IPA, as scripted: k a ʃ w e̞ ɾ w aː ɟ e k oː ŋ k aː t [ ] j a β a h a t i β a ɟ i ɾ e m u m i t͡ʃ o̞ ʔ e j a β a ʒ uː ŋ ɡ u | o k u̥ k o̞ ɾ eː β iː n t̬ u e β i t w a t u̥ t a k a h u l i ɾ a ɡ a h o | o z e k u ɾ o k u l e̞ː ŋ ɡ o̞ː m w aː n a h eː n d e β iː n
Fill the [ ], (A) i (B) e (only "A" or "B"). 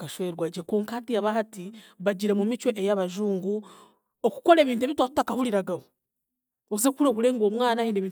A